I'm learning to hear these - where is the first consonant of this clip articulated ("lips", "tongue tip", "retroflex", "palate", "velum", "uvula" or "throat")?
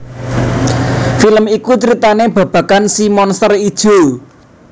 lips